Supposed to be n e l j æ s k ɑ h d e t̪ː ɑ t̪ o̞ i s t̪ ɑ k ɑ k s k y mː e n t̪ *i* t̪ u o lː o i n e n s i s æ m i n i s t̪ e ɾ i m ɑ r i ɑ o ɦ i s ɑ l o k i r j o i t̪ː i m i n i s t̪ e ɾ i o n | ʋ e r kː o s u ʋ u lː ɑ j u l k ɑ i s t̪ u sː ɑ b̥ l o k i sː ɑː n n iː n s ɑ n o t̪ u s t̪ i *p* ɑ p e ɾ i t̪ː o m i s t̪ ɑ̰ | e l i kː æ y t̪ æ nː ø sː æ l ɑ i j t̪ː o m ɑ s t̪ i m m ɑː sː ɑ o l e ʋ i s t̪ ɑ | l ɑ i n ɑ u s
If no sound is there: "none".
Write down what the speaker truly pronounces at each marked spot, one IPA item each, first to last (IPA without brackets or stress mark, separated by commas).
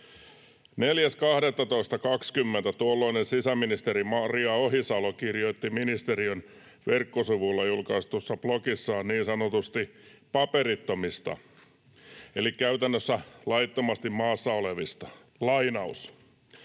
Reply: æ, p